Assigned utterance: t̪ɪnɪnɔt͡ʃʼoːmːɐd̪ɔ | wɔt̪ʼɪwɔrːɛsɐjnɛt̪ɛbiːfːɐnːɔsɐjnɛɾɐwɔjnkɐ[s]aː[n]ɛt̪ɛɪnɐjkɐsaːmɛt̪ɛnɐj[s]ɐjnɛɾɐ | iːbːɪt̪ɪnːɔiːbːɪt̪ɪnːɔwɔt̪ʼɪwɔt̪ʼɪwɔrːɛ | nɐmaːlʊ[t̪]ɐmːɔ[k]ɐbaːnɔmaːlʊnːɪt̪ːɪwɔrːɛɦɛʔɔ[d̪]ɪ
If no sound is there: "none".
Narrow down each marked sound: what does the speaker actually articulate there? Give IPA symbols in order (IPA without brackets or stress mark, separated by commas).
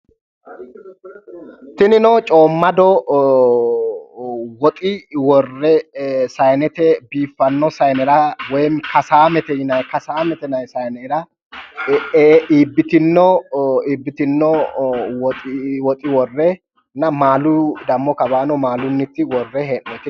s, m, s, d̪, k, t̪